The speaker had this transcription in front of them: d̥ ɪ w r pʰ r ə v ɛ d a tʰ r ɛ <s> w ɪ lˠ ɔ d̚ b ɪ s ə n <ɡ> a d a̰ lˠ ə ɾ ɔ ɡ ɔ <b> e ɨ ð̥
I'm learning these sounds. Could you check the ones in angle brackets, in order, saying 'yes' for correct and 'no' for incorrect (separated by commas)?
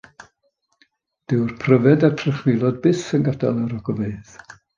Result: no, yes, no